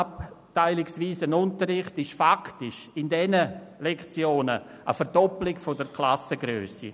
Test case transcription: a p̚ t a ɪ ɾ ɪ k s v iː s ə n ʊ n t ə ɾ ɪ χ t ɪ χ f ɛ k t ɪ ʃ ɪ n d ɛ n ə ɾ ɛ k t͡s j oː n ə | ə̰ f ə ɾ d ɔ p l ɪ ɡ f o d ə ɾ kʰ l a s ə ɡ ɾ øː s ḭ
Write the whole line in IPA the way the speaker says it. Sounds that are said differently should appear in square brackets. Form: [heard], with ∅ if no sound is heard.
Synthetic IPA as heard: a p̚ t a ɪ [l] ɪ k s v iː s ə n ʊ n t ə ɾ ɪ χ t ɪ [ʃ] f [a] k t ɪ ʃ ɪ n d ɛ n ə [l] ɛ k t͡s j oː n ə | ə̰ f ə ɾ d ɔ p l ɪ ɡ f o d ə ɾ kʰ l a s ə ɡ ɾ øː s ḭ